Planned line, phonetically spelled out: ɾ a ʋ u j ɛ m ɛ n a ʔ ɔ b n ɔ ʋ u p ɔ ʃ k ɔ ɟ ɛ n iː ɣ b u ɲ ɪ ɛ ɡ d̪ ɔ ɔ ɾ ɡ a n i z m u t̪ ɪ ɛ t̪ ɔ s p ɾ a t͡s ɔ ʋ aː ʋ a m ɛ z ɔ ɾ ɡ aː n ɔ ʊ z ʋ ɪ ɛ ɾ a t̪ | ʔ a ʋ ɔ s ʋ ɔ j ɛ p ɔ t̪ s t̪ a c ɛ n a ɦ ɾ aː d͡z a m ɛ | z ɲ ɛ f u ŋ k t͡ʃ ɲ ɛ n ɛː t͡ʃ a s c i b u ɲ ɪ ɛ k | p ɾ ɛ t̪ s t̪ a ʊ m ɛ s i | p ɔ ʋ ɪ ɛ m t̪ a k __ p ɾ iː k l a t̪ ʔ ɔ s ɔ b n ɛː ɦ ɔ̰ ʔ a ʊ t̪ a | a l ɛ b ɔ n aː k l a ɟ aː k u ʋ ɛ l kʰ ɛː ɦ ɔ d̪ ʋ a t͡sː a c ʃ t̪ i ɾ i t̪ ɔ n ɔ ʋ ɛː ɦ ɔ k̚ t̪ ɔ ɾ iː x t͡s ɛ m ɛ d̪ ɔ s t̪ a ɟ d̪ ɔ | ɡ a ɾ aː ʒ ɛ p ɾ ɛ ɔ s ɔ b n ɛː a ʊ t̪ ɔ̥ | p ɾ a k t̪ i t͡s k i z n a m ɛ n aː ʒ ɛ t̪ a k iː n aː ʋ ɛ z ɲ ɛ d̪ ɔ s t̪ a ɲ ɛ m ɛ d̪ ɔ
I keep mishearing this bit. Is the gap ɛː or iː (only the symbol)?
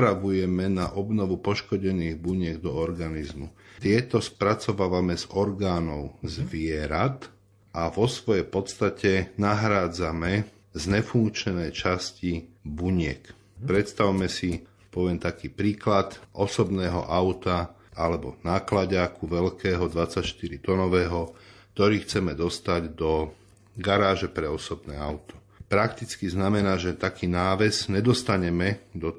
iː